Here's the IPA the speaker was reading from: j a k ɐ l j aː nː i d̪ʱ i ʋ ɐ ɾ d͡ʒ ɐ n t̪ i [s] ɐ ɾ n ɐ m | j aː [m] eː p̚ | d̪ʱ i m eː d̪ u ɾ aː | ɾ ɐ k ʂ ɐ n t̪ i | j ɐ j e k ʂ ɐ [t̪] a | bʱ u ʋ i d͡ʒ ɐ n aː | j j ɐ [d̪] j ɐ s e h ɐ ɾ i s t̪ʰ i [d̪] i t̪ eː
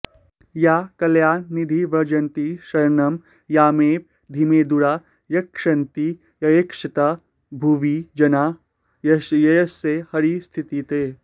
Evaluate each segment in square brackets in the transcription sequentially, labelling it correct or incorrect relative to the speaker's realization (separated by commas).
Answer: incorrect, correct, correct, incorrect, incorrect